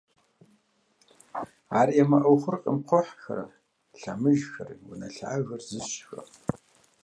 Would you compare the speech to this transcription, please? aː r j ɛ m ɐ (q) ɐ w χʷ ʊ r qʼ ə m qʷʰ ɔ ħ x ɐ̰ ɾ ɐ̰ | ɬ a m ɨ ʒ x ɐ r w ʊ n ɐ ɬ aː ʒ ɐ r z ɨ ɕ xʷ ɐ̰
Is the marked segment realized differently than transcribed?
yes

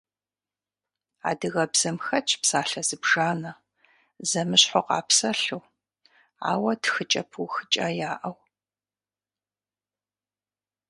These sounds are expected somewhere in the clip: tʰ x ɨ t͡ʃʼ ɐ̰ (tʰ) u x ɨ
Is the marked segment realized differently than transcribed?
yes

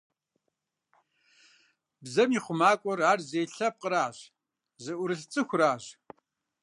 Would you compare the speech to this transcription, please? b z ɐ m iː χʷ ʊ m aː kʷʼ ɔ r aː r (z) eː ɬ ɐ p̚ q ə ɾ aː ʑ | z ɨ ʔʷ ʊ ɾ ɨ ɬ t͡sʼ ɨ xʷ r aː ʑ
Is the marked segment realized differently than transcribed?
no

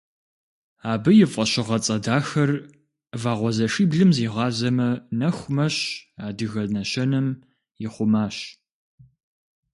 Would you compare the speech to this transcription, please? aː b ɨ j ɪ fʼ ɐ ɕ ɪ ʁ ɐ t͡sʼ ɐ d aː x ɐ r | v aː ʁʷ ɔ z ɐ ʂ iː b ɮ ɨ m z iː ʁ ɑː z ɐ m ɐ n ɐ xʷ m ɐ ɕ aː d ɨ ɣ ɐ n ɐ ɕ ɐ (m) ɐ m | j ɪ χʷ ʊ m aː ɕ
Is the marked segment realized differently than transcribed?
yes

